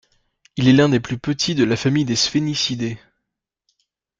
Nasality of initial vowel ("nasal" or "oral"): oral